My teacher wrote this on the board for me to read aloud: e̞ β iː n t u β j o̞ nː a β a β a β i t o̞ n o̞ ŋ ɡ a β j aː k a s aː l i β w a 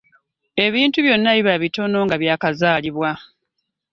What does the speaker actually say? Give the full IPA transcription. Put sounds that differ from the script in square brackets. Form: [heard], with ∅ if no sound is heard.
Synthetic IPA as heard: e̞ β iː n t u β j o̞ nː a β [i] β a β i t o̞ n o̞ ŋ ɡ a β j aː k a [z] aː l i β w a